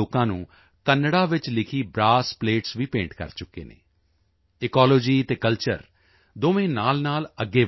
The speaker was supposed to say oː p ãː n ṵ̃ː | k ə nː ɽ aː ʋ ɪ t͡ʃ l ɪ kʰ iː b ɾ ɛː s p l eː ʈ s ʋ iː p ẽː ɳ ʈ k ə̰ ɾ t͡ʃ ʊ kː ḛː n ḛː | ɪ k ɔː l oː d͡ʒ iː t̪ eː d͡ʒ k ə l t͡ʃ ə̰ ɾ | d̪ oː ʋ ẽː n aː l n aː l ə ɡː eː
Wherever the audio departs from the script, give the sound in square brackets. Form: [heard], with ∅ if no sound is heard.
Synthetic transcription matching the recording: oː [k] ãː n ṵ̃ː | k ə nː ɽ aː ʋ ɪ t͡ʃ l ɪ kʰ iː b ɾ [aː] s p l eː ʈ s ʋ iː p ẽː ɳ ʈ k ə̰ ɾ t͡ʃ ʊ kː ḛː n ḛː | ɪ k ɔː l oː d͡ʒ iː t̪ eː [∅] k ə l t͡ʃ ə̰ ɾ | d̪ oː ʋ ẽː n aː l n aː l ə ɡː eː